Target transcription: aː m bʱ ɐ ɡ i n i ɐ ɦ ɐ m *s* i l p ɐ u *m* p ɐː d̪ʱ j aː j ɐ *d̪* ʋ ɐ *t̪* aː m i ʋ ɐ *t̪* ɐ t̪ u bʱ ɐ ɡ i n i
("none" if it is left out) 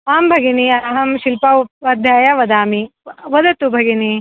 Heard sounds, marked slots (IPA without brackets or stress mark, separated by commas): ʃ, none, none, d̪, d̪